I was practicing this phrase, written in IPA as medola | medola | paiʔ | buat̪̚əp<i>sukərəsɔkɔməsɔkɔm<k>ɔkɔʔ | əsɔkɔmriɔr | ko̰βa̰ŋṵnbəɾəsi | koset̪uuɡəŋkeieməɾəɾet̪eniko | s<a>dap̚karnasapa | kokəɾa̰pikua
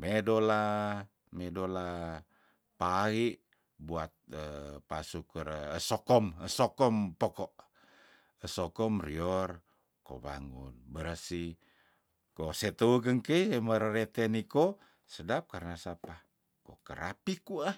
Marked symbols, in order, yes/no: no, no, no

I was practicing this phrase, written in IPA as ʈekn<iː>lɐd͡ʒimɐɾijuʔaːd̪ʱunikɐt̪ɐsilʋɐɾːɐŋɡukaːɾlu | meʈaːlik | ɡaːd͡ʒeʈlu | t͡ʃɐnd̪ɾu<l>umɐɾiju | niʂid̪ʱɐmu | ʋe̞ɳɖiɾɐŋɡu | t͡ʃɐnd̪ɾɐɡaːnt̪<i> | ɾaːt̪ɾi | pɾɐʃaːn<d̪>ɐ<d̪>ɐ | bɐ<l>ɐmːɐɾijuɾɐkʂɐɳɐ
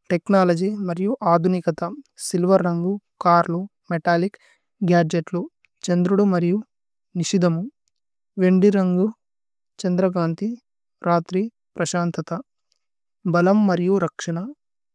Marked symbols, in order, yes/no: no, no, yes, no, no, yes

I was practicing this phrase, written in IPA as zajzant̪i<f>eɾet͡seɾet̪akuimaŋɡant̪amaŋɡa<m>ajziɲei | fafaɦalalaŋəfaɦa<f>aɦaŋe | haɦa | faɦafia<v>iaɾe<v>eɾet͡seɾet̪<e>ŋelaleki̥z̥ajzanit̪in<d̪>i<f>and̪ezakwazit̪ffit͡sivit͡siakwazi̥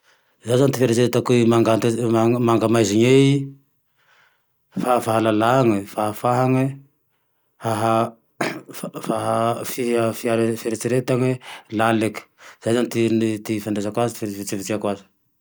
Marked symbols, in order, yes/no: yes, yes, yes, no, no, no, no, yes

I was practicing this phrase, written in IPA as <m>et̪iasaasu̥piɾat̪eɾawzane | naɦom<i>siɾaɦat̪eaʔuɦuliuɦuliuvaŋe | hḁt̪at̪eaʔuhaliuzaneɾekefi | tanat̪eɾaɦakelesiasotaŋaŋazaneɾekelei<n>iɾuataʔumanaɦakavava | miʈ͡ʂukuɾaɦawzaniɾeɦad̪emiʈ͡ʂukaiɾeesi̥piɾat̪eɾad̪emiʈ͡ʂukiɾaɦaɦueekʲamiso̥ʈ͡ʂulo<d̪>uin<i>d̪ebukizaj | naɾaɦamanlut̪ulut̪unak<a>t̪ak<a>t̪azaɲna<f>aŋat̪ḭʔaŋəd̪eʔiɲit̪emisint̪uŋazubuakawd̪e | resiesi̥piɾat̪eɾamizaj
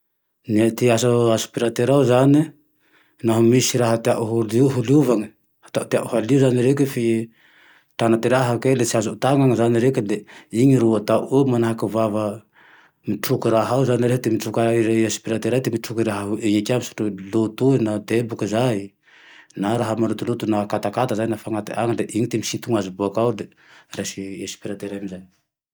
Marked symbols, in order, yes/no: no, yes, no, no, no, yes, yes, yes

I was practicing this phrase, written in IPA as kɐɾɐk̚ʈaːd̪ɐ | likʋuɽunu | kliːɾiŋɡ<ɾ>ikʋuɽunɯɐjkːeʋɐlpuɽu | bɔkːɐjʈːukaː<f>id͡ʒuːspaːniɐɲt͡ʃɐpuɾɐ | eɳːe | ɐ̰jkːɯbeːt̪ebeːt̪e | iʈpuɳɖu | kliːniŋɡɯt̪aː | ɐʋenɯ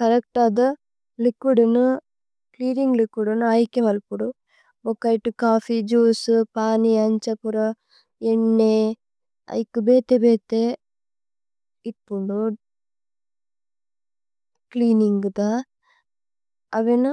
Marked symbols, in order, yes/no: no, yes

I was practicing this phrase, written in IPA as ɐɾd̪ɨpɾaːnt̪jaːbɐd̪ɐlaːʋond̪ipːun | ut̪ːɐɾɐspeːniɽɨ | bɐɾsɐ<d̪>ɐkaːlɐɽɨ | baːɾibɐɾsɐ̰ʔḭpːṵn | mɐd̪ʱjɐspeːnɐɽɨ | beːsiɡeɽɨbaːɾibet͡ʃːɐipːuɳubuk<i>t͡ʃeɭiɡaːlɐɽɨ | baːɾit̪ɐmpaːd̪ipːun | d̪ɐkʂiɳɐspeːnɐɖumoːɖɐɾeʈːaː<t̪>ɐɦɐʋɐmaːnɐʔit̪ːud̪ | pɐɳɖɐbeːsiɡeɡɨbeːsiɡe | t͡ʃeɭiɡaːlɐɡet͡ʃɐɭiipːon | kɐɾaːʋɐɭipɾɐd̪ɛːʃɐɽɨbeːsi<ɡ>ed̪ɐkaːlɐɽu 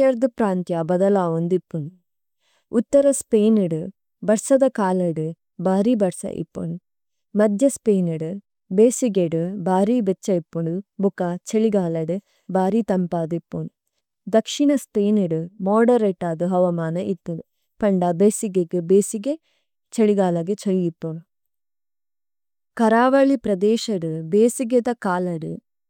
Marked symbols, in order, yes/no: yes, no, no, yes

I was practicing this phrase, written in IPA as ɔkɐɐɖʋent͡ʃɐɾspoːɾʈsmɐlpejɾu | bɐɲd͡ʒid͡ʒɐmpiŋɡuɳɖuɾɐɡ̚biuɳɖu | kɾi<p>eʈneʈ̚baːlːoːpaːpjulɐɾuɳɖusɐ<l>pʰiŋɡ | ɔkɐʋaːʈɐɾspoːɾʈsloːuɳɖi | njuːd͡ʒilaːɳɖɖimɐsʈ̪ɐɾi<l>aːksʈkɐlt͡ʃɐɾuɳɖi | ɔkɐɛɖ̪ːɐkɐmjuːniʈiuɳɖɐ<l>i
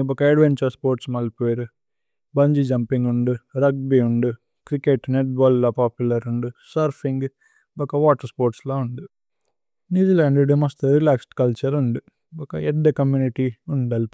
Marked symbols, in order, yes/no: no, no, yes, yes

